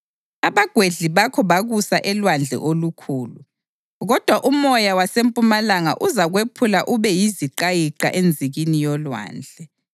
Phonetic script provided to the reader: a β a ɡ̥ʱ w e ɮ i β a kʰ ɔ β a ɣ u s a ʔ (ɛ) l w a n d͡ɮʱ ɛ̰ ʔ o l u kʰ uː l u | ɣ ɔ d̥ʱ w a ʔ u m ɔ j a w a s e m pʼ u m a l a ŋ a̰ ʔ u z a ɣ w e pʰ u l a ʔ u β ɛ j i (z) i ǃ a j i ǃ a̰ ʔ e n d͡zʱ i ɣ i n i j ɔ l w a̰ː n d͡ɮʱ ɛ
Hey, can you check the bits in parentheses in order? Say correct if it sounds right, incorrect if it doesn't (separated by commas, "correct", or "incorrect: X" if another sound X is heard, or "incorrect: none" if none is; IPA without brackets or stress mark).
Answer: correct, correct